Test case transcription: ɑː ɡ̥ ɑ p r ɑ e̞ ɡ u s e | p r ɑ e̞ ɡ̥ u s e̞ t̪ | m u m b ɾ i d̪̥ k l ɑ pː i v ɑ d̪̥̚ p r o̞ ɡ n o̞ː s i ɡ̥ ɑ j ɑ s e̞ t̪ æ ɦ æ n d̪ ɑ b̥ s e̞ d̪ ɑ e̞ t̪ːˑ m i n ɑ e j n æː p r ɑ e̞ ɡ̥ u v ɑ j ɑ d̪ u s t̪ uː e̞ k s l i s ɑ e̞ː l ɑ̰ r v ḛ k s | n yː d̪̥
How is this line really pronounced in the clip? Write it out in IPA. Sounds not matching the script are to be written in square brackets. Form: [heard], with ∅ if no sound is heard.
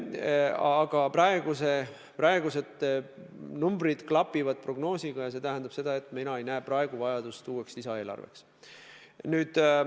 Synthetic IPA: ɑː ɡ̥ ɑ p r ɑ e̞ ɡ u s e | p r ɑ e̞ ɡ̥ u s e̞ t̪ | [n] u m b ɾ i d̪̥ k l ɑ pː i v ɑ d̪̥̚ p r o̞ ɡ n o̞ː s i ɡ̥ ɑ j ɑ s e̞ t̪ æ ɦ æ n d̪ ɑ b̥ s e̞ d̪ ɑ e̞ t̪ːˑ m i n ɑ e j n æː p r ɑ e̞ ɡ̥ u v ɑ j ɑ d̪ u s t̪ uː e̞ k s l i s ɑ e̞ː l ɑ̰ r v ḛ k s | n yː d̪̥